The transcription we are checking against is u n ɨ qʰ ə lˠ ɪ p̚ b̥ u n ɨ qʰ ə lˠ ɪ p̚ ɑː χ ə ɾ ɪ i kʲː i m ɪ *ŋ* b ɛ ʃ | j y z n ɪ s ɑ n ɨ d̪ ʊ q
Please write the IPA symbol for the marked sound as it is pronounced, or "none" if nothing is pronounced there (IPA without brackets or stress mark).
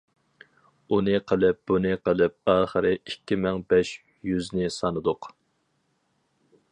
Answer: ŋ